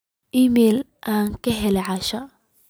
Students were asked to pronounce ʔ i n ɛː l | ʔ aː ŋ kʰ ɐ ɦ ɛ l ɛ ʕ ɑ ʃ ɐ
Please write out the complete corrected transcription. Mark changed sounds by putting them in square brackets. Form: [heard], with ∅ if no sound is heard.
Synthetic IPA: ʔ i [m] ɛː l | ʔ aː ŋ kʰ ɐ ɦ ɛ l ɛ ʕ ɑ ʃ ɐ